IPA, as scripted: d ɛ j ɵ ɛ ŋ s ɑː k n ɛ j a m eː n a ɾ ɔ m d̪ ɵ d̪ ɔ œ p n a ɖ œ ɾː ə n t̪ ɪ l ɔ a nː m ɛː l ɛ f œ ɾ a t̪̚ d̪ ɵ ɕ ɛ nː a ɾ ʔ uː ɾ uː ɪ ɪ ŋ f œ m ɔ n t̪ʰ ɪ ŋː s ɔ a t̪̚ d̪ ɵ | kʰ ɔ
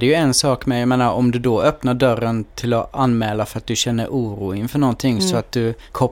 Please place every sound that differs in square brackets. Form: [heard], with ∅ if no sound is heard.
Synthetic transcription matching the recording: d ɛ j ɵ ɛ [n] s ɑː k [m] ɛ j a m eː n a ɾ ɔ m d̪ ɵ d̪ ɔ œ p n a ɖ œ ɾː ə n [t̪ʰ] ɪ l ɔ a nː m ɛː l [a] f œ ɾ a t̪̚ d̪ ɵ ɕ ɛ nː [ə] ɾ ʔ uː ɾ uː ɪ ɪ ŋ f œ [ɳ] ɔ n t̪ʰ ɪ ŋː s ɔ a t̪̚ d̪ ɵ | kʰ ɔ